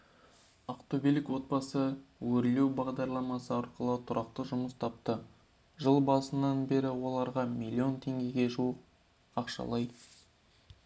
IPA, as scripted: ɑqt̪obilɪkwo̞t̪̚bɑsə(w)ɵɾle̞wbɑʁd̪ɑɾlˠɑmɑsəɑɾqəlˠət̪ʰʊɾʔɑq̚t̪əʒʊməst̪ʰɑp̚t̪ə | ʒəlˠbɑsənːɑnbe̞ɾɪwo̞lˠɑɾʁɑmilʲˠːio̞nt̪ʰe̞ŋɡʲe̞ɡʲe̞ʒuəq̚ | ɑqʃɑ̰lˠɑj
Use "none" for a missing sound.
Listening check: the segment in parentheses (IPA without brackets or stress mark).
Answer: w